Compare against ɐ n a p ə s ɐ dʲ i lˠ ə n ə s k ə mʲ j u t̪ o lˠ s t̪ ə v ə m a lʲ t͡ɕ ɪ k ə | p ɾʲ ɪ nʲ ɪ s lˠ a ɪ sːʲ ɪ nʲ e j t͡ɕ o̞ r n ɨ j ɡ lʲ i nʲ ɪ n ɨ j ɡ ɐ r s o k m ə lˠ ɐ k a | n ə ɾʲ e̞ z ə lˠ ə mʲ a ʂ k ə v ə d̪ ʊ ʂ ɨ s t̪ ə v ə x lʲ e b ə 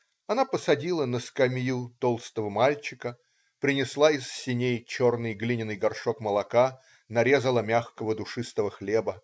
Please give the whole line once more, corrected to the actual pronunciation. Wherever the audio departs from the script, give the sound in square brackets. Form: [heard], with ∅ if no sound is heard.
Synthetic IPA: ɐ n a p ə s ɐ dʲ i lˠ ə n ə s k [ɐ] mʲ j u t̪ o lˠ s t̪ ə v ə m a lʲ t͡ɕ ɪ k ə | p ɾʲ ɪ nʲ ɪ s lˠ a ɪ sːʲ ɪ nʲ e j t͡ɕ o̞ r n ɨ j ɡ lʲ i nʲ ɪ n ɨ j ɡ ɐ r [ʂ] o k m ə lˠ ɐ k a | n [ɐ] ɾʲ e̞ z ə lˠ ə mʲ a [x] k ə v ə d̪ ʊ ʂ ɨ s t̪ ə v ə x lʲ e b ə